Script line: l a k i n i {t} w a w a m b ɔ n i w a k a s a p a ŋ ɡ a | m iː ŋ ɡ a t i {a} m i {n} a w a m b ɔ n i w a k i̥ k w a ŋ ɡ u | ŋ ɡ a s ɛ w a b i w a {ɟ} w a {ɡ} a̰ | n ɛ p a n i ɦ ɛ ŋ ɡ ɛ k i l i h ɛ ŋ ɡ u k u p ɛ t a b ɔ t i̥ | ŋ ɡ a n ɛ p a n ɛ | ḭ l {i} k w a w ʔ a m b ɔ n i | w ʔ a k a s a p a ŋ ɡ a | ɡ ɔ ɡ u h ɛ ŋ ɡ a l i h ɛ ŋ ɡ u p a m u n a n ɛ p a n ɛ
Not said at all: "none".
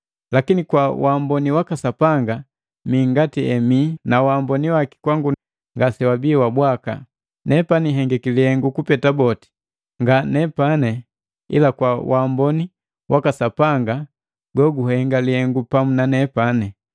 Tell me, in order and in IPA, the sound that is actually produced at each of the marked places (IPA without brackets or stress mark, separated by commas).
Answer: k, ɛ, n, b, k, a